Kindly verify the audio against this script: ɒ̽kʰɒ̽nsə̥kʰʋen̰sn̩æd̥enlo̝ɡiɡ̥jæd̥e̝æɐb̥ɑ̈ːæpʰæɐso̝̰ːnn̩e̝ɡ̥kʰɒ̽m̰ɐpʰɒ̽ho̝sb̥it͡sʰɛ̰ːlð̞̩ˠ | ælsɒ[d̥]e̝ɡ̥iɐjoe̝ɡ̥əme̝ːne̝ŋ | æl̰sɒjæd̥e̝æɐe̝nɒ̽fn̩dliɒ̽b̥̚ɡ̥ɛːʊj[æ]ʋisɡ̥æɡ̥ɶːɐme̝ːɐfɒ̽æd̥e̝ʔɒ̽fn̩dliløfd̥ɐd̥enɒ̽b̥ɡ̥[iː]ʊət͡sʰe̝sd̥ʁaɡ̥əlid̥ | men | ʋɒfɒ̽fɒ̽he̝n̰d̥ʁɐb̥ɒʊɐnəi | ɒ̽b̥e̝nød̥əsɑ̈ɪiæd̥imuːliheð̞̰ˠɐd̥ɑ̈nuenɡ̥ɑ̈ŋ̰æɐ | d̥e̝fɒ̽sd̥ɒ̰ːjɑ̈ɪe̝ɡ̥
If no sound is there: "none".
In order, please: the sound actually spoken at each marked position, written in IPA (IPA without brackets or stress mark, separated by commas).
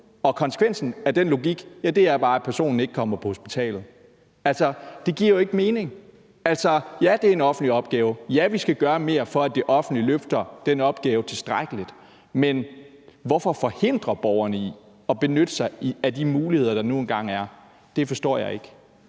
d̥, æ, ɛː